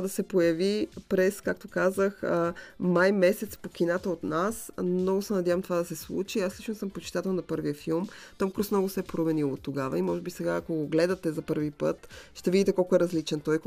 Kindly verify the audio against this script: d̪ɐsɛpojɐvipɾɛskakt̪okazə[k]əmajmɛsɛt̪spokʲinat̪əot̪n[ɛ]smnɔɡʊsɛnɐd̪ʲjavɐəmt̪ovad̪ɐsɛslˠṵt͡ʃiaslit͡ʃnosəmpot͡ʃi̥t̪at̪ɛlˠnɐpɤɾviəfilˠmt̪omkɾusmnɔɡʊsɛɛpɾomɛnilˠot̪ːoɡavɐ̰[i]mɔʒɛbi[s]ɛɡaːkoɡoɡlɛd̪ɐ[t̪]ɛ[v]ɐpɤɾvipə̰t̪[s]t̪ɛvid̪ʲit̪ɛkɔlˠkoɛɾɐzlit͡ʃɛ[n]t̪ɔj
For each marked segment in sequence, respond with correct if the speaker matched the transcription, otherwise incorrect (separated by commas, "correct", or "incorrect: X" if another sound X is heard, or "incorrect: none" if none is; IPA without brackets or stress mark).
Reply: incorrect: x, incorrect: a, correct, correct, correct, incorrect: z, incorrect: ʃ, correct